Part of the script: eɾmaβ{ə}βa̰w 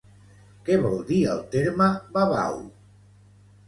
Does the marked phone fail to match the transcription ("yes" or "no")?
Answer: yes